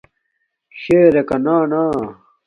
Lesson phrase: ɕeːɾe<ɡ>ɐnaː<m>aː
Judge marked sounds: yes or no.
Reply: no, no

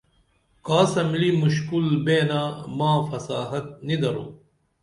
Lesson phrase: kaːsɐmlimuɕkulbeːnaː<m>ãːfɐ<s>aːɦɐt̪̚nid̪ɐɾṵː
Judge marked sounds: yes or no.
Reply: yes, yes

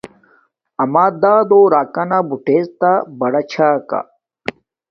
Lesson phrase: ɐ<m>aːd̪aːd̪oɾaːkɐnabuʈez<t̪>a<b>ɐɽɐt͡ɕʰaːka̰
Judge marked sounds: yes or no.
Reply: yes, yes, yes

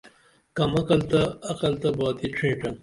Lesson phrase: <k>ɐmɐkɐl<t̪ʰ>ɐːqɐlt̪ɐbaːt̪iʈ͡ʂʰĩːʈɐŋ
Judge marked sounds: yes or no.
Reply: yes, no

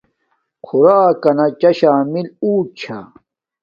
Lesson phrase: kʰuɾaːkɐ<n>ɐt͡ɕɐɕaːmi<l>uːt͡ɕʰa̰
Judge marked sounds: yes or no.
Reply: yes, yes

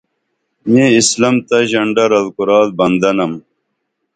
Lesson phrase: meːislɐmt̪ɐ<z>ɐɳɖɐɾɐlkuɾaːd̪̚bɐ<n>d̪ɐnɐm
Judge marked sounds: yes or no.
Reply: no, yes

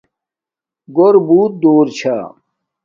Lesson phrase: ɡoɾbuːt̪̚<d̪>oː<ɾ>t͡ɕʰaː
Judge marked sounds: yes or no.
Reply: yes, yes

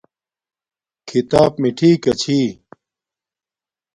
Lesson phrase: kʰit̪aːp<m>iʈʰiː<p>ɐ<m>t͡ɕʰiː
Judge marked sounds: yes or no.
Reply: yes, no, no

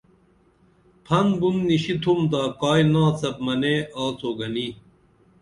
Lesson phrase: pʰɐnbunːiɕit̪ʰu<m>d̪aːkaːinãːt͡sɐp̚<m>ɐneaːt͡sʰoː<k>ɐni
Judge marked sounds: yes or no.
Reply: yes, yes, no

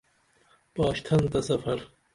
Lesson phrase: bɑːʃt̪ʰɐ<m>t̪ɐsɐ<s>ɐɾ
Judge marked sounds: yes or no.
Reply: no, no

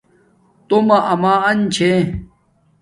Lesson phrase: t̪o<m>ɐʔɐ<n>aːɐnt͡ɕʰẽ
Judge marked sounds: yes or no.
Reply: yes, no

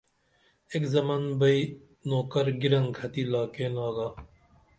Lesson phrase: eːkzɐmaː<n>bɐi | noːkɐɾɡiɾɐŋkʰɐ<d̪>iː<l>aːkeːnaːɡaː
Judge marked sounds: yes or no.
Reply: yes, no, yes

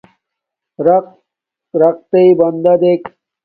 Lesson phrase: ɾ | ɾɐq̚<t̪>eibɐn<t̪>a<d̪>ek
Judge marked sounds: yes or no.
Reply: yes, no, yes

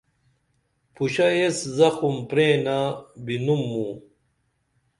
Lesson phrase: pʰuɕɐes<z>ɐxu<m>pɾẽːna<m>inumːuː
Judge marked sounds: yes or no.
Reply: yes, yes, no

